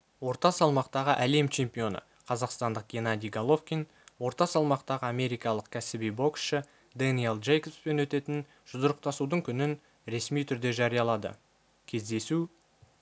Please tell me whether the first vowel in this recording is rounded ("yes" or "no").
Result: yes